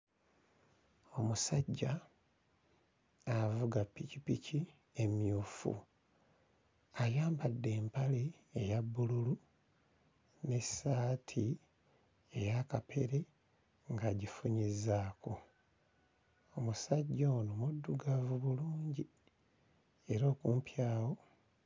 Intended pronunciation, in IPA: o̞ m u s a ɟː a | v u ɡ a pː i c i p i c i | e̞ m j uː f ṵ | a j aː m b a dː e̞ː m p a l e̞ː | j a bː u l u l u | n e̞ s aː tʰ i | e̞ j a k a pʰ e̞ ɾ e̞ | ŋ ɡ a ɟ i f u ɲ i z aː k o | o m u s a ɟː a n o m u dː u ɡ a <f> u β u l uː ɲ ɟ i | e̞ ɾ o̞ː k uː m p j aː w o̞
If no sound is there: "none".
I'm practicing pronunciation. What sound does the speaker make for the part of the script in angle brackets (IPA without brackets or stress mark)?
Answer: v